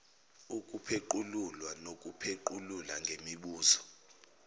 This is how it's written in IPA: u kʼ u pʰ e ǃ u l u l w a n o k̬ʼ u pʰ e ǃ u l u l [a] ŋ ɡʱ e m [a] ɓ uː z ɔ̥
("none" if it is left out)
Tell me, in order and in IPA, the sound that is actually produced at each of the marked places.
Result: a, i

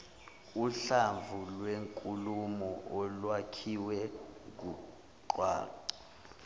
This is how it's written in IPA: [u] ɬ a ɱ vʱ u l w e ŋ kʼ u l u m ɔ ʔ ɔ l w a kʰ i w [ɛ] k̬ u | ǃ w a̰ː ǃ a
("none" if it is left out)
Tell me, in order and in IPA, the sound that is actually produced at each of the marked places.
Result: u, ɛ

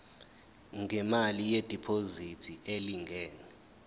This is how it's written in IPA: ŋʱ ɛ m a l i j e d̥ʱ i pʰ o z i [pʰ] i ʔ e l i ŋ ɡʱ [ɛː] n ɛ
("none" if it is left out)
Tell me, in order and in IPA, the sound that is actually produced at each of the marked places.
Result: tʰ, ɛː

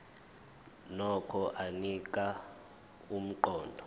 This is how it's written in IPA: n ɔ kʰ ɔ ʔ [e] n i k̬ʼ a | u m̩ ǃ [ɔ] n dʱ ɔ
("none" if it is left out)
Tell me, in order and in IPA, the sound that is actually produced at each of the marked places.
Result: a, ɔː

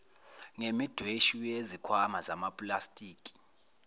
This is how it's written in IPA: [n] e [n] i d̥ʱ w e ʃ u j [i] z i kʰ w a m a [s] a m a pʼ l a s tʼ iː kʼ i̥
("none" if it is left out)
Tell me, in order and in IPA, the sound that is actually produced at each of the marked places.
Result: ŋ, m, e, z

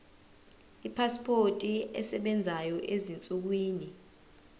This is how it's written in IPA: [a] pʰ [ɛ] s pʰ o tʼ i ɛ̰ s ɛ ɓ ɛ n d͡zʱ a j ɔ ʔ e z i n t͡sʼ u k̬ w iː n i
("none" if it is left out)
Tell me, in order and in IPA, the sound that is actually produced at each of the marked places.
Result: i, a

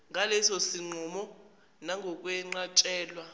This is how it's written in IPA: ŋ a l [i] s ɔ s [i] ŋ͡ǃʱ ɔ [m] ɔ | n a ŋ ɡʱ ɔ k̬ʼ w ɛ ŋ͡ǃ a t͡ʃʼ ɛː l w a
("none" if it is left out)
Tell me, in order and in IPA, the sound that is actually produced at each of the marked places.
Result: ɛ, i, m

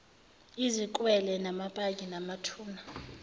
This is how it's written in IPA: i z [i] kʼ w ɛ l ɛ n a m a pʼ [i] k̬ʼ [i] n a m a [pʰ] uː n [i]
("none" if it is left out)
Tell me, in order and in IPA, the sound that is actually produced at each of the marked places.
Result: i, a, i, tʰ, a

